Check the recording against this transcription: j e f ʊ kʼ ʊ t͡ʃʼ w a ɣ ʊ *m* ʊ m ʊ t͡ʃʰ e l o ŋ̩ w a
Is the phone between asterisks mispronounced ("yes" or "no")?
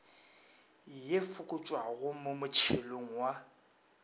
no